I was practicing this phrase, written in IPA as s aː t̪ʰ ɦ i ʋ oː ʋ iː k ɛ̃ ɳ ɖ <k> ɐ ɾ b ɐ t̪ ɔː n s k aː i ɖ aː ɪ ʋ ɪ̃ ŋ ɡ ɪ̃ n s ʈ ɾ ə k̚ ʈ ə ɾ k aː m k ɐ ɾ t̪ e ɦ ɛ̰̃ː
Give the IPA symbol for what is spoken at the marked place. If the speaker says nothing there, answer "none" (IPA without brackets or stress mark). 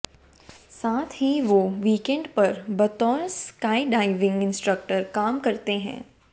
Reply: p